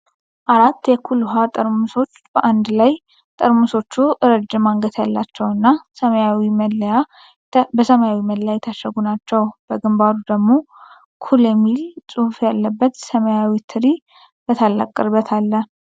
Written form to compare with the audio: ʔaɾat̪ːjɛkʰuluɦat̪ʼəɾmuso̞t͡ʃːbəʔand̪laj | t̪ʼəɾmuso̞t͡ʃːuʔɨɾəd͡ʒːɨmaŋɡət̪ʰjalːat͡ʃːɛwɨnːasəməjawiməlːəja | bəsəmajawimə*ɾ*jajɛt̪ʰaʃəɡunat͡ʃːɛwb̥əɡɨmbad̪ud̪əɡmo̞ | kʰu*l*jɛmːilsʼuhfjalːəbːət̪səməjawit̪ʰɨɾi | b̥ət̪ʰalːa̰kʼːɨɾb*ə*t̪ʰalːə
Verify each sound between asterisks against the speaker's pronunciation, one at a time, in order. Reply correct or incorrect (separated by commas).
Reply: incorrect, correct, correct